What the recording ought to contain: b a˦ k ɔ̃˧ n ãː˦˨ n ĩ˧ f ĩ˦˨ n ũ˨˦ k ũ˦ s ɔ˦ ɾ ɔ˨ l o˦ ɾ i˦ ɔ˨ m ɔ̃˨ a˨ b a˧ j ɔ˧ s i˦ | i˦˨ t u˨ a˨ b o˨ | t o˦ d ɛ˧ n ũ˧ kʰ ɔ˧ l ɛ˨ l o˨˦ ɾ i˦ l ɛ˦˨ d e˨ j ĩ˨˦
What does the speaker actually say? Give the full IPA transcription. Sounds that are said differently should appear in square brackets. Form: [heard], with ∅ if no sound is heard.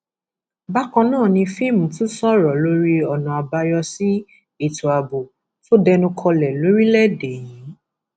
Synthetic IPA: b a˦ k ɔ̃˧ n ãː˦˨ n ĩ˧ f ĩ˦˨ [m] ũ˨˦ [t] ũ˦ s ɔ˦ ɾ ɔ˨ l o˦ ɾ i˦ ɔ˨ [n] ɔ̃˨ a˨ b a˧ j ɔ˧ s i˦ | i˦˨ t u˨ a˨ b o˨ | t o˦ d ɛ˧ n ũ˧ kʰ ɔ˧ l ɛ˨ l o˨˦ ɾ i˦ l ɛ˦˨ d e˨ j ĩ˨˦